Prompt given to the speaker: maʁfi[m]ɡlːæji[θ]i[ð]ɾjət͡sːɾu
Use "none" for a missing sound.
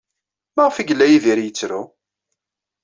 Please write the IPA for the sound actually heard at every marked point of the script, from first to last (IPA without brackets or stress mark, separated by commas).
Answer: none, ð, none